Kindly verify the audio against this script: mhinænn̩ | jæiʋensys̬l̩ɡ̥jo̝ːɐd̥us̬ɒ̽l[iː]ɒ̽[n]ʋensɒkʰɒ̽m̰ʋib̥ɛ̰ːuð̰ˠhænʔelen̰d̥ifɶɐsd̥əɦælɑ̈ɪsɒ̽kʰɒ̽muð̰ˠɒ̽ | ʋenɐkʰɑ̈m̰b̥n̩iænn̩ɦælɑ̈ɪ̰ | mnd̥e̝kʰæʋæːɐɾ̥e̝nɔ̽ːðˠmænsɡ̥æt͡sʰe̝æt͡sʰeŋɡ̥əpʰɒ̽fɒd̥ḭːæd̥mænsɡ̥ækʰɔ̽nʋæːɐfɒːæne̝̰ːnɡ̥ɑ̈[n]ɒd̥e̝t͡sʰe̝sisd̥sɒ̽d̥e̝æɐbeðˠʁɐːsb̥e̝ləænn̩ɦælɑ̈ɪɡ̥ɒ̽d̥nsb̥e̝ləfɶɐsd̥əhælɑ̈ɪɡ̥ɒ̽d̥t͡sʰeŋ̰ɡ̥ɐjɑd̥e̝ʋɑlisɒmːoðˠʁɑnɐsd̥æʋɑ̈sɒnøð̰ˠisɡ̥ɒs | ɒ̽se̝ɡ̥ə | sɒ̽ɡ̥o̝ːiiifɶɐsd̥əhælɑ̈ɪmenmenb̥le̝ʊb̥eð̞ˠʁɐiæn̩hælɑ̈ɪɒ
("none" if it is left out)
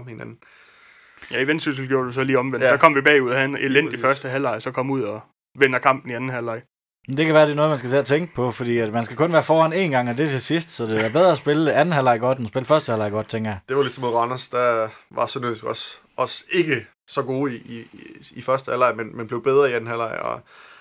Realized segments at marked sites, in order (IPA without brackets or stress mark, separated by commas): iː, m, ŋ